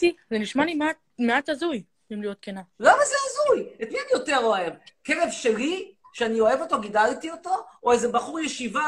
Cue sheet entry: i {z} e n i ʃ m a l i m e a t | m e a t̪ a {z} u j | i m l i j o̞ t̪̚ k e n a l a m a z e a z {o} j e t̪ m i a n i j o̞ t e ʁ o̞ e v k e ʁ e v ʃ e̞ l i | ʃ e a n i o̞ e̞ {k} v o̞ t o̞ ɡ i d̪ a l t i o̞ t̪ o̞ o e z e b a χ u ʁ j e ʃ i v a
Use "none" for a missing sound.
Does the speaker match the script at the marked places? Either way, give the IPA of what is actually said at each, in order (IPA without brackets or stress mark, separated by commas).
z, z, u, none